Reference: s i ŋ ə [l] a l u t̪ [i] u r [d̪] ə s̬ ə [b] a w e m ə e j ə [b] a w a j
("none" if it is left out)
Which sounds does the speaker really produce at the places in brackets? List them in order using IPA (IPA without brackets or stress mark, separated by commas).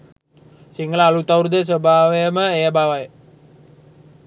l, a, d̪, b, b